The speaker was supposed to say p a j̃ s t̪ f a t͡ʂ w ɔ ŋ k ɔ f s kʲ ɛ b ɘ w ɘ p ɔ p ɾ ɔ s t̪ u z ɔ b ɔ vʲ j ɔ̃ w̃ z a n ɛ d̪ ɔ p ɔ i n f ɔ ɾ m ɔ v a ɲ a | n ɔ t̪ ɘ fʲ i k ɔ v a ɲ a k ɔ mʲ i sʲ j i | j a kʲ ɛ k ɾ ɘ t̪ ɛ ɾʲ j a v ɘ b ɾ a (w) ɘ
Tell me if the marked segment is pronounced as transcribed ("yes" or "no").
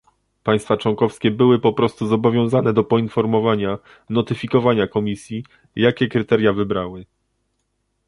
yes